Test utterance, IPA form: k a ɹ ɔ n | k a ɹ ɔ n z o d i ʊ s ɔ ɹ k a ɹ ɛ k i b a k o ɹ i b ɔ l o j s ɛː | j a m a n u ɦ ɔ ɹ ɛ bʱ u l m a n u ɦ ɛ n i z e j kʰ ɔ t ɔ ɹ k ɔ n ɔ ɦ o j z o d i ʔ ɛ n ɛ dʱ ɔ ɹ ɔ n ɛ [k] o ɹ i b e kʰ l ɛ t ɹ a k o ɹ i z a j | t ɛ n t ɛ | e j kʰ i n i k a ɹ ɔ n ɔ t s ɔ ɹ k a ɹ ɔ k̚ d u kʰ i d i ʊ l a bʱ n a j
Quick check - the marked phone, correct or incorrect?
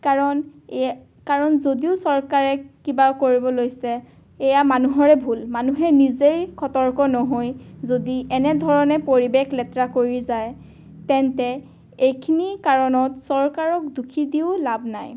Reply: incorrect